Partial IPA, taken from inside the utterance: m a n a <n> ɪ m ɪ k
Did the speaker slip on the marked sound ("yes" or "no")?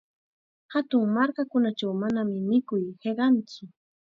yes